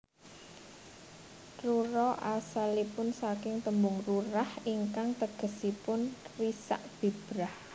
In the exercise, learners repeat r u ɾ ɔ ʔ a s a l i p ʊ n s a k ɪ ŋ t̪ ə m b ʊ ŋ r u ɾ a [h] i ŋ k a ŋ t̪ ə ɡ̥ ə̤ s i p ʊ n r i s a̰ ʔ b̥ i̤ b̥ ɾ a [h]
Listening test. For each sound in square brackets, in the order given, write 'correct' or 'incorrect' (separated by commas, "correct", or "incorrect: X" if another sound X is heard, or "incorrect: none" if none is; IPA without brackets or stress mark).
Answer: correct, correct